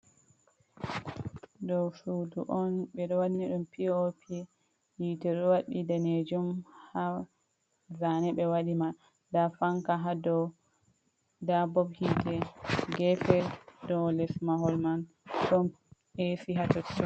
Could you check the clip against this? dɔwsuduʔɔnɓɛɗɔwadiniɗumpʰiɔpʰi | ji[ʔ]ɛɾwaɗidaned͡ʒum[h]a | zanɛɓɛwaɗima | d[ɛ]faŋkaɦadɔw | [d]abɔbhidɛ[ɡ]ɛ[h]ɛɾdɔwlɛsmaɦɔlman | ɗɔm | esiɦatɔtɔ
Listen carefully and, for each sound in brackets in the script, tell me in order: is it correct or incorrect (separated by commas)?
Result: incorrect, correct, incorrect, correct, correct, incorrect